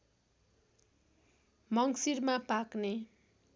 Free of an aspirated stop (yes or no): yes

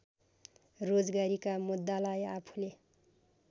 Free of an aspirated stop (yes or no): no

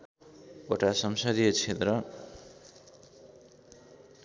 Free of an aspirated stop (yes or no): no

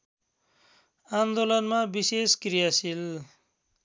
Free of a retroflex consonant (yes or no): yes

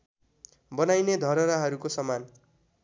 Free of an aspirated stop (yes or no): yes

